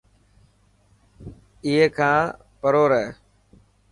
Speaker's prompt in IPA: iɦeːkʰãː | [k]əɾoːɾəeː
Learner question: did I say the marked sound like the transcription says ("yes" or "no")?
no